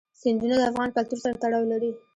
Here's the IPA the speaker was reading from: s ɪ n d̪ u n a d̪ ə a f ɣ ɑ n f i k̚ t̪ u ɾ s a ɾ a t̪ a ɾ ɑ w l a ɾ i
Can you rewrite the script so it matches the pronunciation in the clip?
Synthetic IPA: s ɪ n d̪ u n a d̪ ə a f ɣ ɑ n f a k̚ t̪ u ɾ s a ɾ a t̪ a ɽ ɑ w l a ɾ i